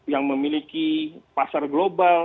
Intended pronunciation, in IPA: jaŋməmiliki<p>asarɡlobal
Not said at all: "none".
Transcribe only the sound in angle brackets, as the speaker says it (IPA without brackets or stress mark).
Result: p